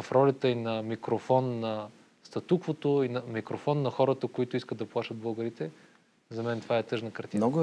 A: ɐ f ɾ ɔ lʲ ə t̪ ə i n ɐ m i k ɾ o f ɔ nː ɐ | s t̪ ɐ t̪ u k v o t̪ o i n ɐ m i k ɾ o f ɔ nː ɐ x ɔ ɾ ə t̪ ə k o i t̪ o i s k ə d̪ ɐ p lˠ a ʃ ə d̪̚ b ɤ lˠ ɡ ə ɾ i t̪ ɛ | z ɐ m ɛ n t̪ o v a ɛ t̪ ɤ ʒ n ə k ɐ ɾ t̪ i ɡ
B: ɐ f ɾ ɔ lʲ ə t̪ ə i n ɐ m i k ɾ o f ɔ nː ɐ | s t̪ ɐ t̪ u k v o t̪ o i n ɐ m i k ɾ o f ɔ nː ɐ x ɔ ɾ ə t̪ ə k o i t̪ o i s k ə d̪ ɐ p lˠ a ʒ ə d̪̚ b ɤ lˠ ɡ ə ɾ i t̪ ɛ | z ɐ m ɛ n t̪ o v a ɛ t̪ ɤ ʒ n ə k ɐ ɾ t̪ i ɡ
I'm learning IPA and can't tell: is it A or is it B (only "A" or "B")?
A